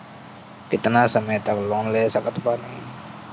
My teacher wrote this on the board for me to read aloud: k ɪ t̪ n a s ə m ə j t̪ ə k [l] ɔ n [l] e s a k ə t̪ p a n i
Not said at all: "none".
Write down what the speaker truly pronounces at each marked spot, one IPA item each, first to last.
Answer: l, l

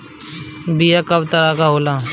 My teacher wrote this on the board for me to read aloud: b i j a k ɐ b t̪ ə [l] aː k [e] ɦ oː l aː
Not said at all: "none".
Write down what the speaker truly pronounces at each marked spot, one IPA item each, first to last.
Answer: ɾ, a

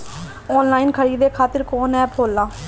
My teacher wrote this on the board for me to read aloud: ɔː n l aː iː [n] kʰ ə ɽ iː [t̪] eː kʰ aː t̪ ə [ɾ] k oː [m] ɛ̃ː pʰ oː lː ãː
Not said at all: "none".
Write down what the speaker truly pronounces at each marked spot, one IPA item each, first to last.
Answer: n, d̪, ɾ, n

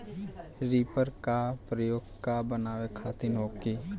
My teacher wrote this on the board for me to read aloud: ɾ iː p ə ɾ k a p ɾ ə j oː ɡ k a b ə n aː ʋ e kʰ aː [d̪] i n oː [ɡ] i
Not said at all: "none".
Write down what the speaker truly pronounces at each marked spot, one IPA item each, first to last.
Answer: t̪, k

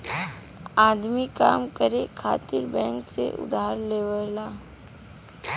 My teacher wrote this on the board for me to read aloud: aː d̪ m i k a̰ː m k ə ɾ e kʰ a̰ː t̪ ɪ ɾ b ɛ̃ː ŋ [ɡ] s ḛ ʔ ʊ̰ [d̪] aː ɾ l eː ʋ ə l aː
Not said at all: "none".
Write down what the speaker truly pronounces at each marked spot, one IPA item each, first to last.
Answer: k, d̪

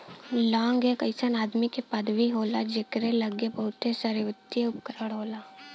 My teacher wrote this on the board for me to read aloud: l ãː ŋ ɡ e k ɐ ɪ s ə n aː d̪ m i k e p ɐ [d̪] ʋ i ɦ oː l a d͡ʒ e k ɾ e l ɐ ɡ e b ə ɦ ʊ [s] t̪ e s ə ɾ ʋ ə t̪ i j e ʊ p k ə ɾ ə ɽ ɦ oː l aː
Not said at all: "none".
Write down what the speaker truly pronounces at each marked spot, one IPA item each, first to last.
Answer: d̪, none

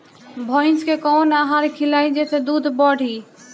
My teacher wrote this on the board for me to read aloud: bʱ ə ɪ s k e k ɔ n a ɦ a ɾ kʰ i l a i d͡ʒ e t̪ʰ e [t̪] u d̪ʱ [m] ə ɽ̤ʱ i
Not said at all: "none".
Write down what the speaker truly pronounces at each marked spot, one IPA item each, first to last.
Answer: d̪, b

